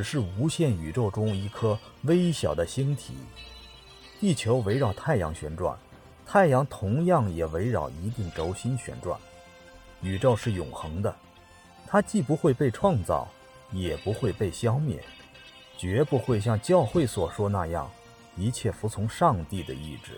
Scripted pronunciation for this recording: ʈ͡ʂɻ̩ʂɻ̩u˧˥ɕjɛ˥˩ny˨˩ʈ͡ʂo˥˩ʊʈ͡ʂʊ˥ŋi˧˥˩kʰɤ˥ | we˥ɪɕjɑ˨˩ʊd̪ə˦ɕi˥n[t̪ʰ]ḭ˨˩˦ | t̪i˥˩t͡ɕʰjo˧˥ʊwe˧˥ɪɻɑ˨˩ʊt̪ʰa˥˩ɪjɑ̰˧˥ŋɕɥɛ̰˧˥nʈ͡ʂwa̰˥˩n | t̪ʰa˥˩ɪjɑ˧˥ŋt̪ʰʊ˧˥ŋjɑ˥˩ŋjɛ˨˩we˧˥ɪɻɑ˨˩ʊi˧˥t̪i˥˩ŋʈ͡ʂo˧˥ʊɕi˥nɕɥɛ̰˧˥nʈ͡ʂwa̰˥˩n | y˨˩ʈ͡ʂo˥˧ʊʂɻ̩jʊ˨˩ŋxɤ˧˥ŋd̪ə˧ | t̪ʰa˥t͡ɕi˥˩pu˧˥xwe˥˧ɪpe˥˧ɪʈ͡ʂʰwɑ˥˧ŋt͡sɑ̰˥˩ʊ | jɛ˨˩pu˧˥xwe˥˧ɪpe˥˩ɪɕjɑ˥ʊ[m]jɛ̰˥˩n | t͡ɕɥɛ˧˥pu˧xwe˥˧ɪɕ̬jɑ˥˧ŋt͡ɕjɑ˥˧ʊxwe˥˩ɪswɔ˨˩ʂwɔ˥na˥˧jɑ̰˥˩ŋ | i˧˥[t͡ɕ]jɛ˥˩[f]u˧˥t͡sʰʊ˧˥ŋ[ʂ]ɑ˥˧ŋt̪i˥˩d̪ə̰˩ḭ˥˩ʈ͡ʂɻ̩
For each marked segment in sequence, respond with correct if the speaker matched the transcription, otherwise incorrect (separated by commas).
correct, correct, incorrect, correct, correct